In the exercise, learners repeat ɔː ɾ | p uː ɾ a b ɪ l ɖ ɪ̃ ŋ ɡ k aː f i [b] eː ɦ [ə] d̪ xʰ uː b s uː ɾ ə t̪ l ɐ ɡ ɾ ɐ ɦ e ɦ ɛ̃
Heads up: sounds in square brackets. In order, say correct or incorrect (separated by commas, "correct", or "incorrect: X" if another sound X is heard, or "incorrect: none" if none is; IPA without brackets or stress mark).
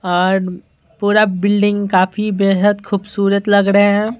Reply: correct, correct